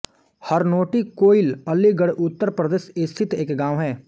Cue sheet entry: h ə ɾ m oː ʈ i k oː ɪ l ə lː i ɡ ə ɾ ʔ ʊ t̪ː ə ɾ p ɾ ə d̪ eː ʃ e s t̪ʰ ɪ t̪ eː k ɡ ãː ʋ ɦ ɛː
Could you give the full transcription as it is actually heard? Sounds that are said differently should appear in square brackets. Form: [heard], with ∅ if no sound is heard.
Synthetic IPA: h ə ɾ [n] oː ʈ i k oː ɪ l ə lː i ɡ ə [ɽ] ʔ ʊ t̪ː ə ɾ p ɾ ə d̪ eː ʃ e s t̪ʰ ɪ t̪ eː k ɡ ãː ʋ ɦ ɛː

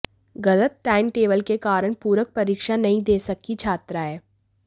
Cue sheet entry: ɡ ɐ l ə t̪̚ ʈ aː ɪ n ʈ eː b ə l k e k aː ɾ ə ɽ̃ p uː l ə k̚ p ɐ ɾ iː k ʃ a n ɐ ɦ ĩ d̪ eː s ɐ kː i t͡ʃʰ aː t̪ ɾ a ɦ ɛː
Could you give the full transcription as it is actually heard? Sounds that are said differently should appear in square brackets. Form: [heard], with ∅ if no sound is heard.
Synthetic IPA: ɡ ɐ l ə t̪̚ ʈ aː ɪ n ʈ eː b ə l k e k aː ɾ ə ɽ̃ p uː [ɾ] ə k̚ p ɐ ɾ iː k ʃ a n ɐ ɦ ĩ d̪ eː s ɐ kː i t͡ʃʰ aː t̪ ɾ a ɦ ɛː

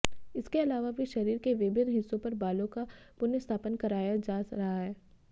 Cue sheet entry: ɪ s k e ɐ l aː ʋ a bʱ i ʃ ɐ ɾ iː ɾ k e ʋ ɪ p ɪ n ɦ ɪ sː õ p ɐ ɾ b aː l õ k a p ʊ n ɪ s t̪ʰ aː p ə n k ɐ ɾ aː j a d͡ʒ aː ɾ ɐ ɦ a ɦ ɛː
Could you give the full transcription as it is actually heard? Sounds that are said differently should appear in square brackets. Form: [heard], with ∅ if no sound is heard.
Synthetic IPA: ɪ s k e ɐ l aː ʋ a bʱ i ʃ ɐ ɾ iː ɾ k e ʋ ɪ [b] ɪ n ɦ ɪ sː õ p ɐ ɾ b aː l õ k a p ʊ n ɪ s t̪ʰ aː p ə n k ɐ ɾ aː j a d͡ʒ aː ɾ ɐ ɦ a ɦ ɛː

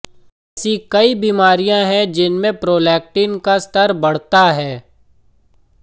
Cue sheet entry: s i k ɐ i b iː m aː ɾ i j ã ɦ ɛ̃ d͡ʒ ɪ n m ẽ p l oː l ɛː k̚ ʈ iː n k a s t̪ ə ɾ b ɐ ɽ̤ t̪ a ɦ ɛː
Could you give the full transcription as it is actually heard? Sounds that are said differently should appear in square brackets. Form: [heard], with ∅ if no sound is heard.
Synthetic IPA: s i k ɐ i b iː m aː ɾ i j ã ɦ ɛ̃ d͡ʒ ɪ n m ẽ p [ɾ] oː l ɛː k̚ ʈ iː n k a s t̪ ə ɾ b ɐ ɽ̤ t̪ a ɦ ɛː

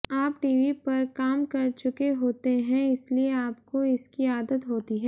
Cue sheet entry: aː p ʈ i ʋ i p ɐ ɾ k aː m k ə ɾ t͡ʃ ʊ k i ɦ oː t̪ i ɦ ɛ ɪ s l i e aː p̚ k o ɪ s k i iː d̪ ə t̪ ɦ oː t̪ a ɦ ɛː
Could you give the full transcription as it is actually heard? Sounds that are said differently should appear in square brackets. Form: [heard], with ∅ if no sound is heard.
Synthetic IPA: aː p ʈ [iː] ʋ i p ɐ ɾ k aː m k [ɐ] ɾ t͡ʃ ʊ k [e] ɦ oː t̪ [e] ɦ [ɛ̃] ɪ s l i e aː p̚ k o ɪ s k i [aː] d̪ ə t̪ ɦ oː t̪ [i] ɦ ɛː

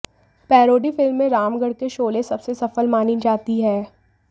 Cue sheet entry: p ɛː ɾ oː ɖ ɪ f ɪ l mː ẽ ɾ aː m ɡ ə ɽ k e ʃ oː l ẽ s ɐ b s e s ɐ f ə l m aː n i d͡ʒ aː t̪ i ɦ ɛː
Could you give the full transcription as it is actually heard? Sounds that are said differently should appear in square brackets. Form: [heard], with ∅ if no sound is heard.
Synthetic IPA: p ɛː ɾ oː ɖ [i] f ɪ l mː ẽ ɾ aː m ɡ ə ɽ k e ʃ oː l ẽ s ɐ b s e s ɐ f ə l m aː n i d͡ʒ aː t̪ i ɦ ɛː

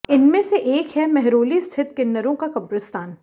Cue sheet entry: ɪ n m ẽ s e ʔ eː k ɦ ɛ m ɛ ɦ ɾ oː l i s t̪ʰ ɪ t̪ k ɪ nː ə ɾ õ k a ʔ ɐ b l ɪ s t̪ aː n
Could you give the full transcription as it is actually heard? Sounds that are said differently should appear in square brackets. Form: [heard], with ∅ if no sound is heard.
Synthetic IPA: ɪ n m ẽ s e ʔ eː k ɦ ɛ m ɛ ɦ ɾ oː l i s t̪ʰ ɪ t̪ k ɪ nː ə ɾ õ k a [k] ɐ b [ɾ] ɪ s t̪ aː n

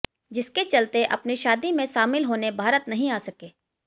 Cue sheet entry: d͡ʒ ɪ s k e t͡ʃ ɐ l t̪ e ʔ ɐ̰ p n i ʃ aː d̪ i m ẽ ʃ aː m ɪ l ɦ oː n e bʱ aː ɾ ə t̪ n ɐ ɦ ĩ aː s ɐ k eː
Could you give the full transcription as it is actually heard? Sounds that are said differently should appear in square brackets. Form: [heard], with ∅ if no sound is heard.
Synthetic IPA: d͡ʒ ɪ s k e t͡ʃ ɐ l t̪ e ʔ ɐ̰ p n i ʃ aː d̪ i m ẽ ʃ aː m ɪ l ɦ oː n e bʱ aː ɾ ə t̪ n ɐ ɦ ĩ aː s ɐ k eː

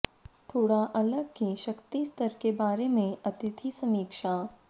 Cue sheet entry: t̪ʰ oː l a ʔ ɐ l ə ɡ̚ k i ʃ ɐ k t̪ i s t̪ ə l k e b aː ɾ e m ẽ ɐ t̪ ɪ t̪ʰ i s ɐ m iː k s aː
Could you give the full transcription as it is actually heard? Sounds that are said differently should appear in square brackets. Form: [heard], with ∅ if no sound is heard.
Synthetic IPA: t̪ʰ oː [ɽ] a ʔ ɐ l ə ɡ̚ k i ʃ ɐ k t̪ i s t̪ ə [ɾ] k e b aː ɾ e m ẽ ɐ t̪ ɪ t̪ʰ i s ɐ m iː k [ʃ] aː

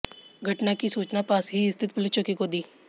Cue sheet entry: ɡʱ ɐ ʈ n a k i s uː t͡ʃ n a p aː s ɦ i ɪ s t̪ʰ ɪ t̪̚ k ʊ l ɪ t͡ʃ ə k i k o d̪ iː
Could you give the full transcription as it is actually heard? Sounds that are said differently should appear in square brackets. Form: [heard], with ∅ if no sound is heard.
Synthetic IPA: ɡʱ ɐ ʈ n a k i s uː t͡ʃ n a p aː s ɦ i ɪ s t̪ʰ ɪ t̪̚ [p] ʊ l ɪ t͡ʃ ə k i k o d̪ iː

